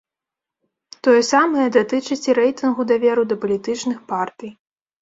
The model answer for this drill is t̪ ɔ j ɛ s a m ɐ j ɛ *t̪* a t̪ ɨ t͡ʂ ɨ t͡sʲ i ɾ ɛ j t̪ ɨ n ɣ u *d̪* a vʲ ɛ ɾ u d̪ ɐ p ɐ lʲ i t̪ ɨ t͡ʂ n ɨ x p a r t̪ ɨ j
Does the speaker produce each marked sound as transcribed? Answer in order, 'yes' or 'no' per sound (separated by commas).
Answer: no, yes